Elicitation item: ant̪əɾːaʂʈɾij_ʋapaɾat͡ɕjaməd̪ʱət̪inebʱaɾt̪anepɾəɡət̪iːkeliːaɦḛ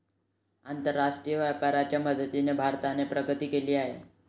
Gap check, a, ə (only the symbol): ə